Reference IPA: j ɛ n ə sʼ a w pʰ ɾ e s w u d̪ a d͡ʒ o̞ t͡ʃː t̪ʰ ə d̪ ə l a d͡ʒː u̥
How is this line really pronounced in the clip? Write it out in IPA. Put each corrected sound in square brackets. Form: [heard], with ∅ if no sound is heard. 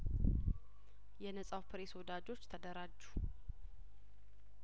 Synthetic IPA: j ɛ n ə sʼ a w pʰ ɾ e s w [ɔ] d̪ a d͡ʒ o̞ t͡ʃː t̪ʰ ə d̪ ə [ɾ] a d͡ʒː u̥